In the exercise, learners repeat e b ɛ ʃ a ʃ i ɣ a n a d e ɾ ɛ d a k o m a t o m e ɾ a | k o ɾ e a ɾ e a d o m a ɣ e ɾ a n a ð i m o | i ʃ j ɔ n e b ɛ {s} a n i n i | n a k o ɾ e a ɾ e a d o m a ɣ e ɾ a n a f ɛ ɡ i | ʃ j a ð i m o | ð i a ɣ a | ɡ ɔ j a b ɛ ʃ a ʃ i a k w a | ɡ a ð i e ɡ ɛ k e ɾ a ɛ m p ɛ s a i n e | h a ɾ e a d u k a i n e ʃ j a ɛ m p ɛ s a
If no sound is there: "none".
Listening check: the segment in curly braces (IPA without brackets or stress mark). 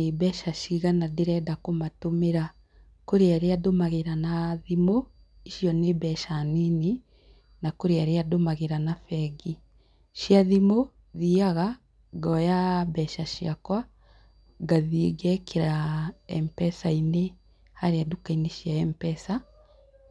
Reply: ʃ